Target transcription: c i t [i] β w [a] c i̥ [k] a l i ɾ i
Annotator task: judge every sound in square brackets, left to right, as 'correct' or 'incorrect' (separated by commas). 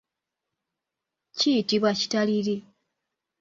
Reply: correct, correct, incorrect